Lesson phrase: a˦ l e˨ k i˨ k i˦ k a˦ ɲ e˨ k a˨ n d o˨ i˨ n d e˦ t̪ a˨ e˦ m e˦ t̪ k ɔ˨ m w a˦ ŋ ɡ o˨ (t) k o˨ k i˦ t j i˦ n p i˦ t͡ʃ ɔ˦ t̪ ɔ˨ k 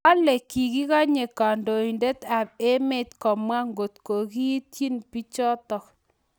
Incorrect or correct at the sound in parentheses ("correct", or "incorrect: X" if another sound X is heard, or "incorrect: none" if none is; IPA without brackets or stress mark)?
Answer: correct